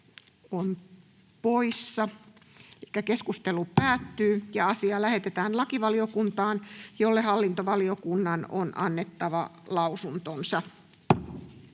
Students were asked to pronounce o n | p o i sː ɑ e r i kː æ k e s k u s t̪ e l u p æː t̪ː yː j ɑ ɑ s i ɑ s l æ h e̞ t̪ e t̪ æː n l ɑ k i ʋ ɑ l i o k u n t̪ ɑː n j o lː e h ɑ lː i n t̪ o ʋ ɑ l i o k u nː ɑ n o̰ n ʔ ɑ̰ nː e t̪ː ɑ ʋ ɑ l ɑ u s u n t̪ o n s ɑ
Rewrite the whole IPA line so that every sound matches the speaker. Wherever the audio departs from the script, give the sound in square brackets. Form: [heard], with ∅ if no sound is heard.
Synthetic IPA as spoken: o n | p o i sː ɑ e [l] i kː æ k e s k u s t̪ e l u p æː t̪ː yː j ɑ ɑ s i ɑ [∅] l æ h e̞ t̪ e t̪ æː n l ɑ k i ʋ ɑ l i o k u n t̪ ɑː n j o lː e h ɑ lː i n t̪ o ʋ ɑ l i o k u nː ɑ n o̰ n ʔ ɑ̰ nː e t̪ː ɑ ʋ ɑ l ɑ u s u n t̪ o n s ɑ